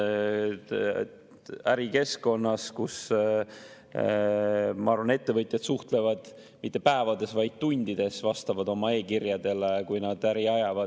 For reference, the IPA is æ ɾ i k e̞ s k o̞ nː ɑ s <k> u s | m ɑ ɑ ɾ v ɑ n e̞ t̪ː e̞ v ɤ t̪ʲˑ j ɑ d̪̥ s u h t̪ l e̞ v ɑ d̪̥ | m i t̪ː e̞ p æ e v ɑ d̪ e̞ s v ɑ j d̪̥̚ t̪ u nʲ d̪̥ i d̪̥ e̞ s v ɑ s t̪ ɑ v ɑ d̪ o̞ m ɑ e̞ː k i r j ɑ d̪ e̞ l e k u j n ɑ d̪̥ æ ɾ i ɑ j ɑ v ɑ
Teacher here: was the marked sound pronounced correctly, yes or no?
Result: yes